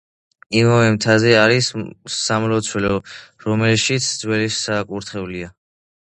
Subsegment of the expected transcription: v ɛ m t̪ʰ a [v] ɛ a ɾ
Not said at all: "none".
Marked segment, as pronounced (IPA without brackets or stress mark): z